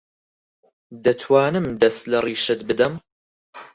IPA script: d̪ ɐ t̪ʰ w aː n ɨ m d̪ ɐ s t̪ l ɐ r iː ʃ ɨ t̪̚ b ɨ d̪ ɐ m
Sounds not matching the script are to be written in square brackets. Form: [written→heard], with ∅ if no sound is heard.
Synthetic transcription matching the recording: d̪ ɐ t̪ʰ w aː n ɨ m d̪ ɐ s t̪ l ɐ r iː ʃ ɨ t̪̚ b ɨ d̪ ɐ m